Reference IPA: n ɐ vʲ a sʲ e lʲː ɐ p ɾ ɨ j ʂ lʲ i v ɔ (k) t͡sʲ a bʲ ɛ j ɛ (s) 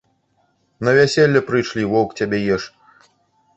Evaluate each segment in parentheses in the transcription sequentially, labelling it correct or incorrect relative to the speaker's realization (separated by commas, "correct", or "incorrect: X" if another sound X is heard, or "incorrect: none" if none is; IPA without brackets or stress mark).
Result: correct, incorrect: ʂ